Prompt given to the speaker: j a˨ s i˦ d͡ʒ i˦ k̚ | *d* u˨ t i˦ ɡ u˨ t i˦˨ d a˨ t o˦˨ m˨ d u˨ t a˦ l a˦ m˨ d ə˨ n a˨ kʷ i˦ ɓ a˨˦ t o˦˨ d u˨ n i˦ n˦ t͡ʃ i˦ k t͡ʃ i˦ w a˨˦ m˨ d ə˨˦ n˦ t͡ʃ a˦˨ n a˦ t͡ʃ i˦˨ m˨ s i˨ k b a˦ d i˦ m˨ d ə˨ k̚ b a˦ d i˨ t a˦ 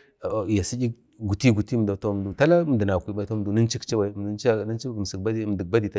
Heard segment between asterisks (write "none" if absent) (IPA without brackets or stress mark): ɡ